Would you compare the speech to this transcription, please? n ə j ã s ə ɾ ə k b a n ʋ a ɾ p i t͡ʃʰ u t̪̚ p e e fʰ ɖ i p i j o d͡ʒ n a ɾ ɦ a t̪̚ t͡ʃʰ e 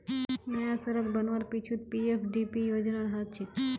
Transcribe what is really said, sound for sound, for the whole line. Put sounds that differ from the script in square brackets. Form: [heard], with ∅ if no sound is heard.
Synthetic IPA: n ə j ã s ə ɾ ə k b [ə] n ʋ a ɾ p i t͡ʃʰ u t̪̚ p [i] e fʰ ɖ i p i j o d͡ʒ n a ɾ ɦ a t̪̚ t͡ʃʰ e

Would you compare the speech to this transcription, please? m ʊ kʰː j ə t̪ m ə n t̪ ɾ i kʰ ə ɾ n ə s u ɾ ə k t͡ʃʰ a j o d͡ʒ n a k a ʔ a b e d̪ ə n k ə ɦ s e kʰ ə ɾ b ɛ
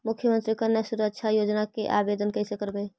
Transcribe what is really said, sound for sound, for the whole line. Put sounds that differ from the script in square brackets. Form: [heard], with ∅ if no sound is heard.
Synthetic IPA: m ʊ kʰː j ə [∅] m ə n t̪ ɾ i [k] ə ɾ n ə s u ɾ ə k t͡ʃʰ a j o d͡ʒ n a k [e] ʔ a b e d̪ ə n k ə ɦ s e [k] ə ɾ b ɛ

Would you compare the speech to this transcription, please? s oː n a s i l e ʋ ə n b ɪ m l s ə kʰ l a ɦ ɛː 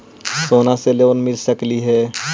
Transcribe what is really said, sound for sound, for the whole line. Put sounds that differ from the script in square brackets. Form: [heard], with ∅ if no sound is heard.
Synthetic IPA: s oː n a s [e] l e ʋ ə n [m] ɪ [∅] l s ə [k] l [i] ɦ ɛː

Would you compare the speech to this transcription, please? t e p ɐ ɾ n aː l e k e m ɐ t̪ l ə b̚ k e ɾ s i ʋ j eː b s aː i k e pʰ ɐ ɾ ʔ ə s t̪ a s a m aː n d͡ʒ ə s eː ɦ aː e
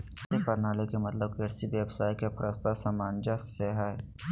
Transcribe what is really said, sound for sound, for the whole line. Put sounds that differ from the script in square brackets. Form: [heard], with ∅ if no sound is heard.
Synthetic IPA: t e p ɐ ɾ n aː l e k e m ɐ t̪ l ə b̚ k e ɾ s i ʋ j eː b s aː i k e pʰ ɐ ɾ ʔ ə s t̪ a s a m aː n d͡ʒ [a] s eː ɦ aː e

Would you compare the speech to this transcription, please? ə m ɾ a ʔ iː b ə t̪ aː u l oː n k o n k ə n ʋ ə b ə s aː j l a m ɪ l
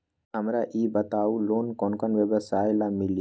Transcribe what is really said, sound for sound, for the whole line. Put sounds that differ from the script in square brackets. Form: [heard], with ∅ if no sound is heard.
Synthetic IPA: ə m ɾ a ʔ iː b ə t̪ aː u l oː n k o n k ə n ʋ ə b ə s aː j l a m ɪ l

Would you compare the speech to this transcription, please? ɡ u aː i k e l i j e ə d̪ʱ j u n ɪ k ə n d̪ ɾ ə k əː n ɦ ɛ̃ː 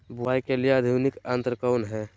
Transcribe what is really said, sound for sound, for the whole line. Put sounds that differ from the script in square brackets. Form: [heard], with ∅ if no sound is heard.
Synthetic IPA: [b] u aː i k e l i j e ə d̪ʱ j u n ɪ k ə n [t̪] ɾ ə k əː n ɦ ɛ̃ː

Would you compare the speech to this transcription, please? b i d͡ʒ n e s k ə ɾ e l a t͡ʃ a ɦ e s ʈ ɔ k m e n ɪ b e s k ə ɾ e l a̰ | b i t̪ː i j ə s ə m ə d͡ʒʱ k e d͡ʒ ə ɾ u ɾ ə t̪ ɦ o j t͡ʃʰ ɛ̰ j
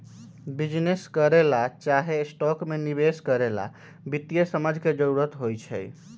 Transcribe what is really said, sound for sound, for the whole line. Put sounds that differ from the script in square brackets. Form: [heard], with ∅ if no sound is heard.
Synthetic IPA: b i d͡ʒ n e s k ə ɾ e l a t͡ʃ a ɦ e s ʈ ɔ k m e n [i] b e s k ə ɾ e l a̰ | b i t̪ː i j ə s ə m ə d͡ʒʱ k e d͡ʒ ə ɾ u ɾ ə t̪ ɦ o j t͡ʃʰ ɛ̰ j

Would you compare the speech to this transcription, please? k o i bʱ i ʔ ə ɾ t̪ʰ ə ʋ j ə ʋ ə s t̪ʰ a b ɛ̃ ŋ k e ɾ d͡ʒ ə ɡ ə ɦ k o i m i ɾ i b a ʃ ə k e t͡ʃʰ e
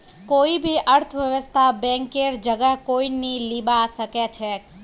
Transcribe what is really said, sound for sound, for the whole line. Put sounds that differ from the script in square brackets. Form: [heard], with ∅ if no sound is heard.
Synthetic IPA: k o i bʱ i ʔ ə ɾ t̪ʰ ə ʋ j ə ʋ ə s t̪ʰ a b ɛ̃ ŋ k e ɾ d͡ʒ ə ɡ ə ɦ k o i [n] i [l] i b a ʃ ə k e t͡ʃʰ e

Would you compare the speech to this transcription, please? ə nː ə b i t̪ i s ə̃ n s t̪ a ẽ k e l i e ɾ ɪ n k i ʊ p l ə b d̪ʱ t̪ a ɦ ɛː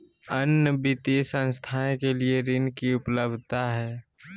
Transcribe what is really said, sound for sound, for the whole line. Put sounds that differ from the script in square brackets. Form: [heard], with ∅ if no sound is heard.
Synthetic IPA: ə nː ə b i t̪ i s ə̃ n s [t̪ʰ] a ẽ k e l i e ɾ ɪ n k i ʊ p l ə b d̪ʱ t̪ a ɦ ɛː

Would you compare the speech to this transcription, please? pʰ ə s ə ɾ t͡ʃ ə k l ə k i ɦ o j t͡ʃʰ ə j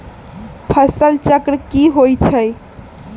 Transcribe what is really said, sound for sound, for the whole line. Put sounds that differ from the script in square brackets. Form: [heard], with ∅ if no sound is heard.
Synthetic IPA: pʰ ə s ə [l] t͡ʃ ə k [ɾ] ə k i ɦ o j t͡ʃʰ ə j

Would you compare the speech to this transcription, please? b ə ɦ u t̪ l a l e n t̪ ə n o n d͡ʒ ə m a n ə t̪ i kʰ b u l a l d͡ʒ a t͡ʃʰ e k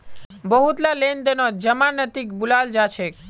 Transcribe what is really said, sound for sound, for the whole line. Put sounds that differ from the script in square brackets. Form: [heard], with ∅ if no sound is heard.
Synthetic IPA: b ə ɦ u t̪ l a l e n [d̪] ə n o [∅] d͡ʒ ə m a n ə t̪ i [k] b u l a l d͡ʒ a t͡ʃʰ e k

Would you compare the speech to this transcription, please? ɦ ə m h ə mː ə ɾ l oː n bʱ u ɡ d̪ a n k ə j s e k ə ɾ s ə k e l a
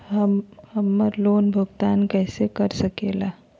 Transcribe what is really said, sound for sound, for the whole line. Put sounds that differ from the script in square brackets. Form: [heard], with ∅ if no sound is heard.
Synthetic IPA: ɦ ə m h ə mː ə ɾ l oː n bʱ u ɡ [t̪] a n k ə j s e k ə ɾ s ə k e l a

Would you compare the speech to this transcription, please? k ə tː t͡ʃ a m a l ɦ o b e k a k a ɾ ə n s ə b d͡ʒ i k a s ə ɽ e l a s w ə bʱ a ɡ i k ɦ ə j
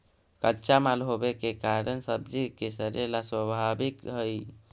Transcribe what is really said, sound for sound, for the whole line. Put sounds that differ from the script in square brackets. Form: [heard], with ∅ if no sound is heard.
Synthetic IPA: k ə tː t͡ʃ a m a l ɦ o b e k [e] k a ɾ ə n s ə b d͡ʒ i k [e] s ə [ɾ] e l a s w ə bʱ a [b] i k ɦ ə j

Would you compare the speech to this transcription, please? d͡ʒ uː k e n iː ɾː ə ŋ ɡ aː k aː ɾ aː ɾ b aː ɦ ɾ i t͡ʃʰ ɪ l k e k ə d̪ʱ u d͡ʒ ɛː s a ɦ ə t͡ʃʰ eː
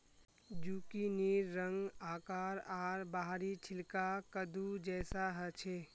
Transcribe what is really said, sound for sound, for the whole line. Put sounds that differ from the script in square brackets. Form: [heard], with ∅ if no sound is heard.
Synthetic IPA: d͡ʒ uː k [i] n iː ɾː ə ŋ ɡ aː k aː ɾ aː ɾ b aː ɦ ɾ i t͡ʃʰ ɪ l k [a] k ə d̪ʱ u d͡ʒ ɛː s a ɦ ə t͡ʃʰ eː

